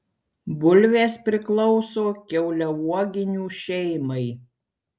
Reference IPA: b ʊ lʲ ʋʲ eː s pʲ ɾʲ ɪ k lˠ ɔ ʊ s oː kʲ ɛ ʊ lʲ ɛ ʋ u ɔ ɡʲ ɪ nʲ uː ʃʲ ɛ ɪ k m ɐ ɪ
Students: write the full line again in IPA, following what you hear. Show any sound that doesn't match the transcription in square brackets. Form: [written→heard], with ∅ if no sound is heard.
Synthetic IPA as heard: b ʊ lʲ ʋʲ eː s pʲ ɾʲ ɪ k lˠ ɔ ʊ s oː kʲ ɛ ʊ lʲ ɛ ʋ u ɔ ɡʲ ɪ nʲ uː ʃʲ ɛ ɪ [k→∅] m ɐ ɪ